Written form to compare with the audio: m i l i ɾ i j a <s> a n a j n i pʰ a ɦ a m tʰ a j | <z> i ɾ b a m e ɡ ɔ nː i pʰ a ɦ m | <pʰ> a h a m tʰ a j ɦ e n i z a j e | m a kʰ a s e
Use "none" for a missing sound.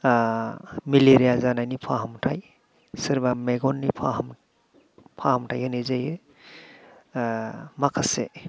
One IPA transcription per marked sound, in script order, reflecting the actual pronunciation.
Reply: z, s, pʰ

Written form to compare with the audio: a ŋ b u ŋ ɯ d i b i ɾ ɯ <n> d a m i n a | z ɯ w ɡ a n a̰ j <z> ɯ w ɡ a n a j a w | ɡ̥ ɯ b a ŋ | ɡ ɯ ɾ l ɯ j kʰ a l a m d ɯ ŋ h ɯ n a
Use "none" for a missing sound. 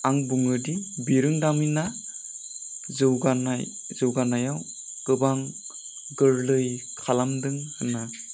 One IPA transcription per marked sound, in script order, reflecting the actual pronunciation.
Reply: ŋ, z

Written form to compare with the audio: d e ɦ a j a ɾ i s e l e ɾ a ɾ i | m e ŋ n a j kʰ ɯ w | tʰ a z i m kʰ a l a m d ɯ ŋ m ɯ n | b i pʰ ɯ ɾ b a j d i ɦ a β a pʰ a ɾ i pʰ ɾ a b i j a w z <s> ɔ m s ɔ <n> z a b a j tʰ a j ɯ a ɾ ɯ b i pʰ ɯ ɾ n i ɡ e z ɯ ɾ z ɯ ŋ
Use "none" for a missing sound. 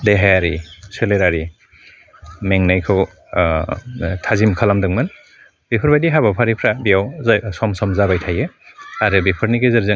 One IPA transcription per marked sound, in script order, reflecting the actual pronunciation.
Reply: s, m

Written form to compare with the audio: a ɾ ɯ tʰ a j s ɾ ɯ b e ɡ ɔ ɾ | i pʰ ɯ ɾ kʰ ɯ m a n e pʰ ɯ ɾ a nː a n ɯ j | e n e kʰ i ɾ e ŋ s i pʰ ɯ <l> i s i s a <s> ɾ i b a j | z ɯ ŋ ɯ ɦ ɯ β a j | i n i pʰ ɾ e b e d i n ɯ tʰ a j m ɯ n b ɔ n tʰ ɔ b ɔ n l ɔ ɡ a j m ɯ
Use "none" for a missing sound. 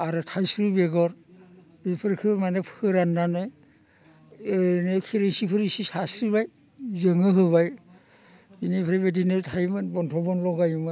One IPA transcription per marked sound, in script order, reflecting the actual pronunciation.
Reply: ɾ, s

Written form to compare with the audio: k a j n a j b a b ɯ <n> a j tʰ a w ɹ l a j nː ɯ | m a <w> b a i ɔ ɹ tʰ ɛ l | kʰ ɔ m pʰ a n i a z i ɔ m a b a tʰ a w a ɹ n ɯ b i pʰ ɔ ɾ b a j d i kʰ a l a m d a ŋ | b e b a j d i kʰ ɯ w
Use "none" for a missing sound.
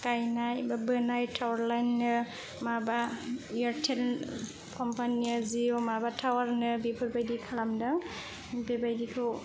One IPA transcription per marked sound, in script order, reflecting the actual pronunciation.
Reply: n, none

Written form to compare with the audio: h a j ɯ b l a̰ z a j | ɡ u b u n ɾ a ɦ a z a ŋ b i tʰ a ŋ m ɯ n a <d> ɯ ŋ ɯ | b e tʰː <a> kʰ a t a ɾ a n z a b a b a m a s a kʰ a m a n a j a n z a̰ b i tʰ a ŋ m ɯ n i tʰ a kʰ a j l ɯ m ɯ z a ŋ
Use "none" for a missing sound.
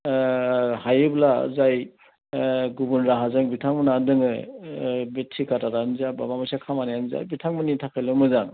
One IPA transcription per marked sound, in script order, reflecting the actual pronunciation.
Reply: d, i

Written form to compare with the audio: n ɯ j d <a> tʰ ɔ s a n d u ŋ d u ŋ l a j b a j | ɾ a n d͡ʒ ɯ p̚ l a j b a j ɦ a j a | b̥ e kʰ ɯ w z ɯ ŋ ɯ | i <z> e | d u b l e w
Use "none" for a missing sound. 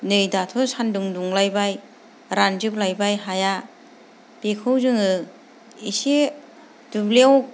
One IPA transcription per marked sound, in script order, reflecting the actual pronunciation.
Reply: a, s

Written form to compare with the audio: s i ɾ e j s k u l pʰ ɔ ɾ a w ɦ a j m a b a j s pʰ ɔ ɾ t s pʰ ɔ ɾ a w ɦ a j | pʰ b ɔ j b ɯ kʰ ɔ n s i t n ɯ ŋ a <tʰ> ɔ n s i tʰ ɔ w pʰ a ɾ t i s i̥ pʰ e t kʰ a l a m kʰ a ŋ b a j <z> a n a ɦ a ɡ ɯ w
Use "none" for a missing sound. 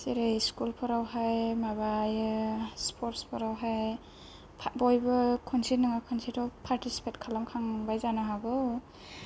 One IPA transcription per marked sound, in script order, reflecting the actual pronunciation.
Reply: kʰ, z

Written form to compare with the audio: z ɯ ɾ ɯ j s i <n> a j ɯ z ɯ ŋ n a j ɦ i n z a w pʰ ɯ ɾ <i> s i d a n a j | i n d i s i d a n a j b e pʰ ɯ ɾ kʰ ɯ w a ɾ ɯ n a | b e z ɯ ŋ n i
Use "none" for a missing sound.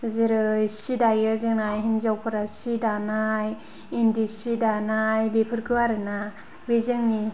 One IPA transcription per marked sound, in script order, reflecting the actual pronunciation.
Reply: d, a

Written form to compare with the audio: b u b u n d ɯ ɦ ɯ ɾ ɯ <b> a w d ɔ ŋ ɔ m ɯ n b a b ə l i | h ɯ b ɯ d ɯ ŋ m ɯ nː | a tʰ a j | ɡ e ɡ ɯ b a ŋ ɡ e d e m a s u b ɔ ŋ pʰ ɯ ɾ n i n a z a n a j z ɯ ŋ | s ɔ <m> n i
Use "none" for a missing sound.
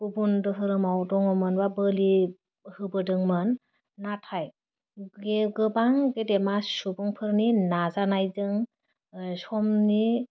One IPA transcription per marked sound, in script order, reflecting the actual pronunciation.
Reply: m, m

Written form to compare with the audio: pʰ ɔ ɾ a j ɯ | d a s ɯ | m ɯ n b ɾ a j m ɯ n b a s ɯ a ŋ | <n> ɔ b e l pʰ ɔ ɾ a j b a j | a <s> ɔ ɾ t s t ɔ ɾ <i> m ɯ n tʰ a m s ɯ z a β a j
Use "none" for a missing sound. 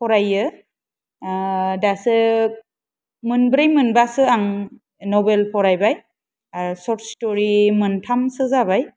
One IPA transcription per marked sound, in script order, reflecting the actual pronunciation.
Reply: n, s, i

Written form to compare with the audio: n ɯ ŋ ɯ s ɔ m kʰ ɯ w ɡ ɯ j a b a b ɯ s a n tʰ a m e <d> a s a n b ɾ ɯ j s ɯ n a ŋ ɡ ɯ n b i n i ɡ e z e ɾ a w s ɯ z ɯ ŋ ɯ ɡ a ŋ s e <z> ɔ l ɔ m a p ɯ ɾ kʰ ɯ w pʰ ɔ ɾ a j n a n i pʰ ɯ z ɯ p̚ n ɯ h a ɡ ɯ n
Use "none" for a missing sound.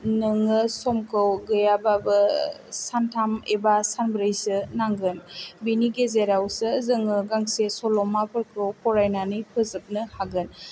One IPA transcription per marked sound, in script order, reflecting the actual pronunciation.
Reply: b, s

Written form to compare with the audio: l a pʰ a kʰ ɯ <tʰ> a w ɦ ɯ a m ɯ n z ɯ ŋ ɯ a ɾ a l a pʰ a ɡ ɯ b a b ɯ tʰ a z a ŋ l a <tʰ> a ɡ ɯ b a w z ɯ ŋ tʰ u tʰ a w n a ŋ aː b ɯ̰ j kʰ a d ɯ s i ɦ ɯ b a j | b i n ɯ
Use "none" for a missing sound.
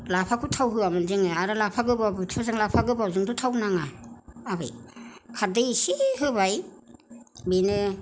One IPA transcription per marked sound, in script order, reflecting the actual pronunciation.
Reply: tʰ, pʰ

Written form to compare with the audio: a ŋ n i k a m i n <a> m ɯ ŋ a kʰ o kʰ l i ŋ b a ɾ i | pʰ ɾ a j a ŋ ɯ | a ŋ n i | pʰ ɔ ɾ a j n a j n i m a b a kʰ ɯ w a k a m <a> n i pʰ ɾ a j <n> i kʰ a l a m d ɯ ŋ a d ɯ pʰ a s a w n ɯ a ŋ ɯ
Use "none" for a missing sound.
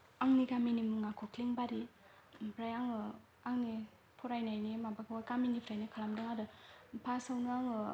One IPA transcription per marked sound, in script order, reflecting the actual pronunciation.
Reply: i, i, n

